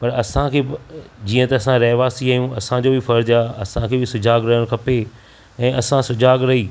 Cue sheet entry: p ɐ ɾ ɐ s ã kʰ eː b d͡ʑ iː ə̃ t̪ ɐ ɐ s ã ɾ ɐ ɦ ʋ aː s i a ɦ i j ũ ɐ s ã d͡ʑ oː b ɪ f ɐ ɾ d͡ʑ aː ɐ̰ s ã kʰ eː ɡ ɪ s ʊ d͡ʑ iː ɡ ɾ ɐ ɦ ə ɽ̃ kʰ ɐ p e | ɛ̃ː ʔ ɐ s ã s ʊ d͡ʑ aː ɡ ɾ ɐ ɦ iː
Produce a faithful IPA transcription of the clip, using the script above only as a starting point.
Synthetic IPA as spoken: p ɐ ɾ ɐ s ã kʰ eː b d͡ʑ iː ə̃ t̪ ɐ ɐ s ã ɾ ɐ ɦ ʋ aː s i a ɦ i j ũ ɐ s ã d͡ʑ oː b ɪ f ɐ ɾ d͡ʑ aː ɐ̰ s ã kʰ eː b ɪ s ʊ d͡ʑ aː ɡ ɾ ɐ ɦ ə ɽ̃ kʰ ɐ p e | ɛ̃ː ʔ ɐ s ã s ʊ d͡ʑ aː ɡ ɾ ɐ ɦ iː